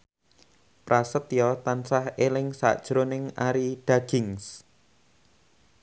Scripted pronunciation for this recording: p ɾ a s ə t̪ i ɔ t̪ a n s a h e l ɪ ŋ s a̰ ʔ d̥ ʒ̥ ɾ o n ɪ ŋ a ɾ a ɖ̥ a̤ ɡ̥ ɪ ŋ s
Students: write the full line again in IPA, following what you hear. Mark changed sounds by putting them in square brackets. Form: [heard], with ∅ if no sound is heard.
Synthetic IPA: p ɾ a s ə t̪ [j] ɔ t̪ a n s a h e l ɪ ŋ s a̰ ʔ d̥ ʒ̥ ɾ o n ɪ ŋ a ɾ [i] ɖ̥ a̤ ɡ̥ ɪ ŋ s